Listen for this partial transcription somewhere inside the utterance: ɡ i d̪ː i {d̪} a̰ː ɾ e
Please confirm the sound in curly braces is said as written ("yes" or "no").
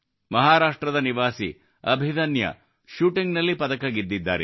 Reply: no